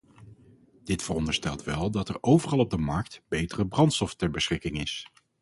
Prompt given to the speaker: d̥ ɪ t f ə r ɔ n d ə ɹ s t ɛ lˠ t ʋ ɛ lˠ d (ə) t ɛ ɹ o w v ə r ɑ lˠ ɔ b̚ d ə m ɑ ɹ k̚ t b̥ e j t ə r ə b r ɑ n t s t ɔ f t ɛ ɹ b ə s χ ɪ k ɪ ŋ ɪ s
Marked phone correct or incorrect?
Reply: incorrect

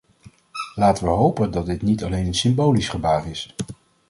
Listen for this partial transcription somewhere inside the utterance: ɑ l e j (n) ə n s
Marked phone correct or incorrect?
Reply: correct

